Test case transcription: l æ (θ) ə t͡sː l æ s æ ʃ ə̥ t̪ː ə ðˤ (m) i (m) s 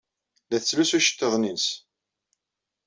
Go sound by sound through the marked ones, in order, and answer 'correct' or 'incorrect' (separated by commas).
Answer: correct, incorrect, incorrect